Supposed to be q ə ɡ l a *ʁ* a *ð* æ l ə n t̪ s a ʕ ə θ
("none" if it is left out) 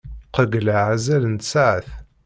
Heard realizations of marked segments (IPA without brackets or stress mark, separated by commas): ʕ, z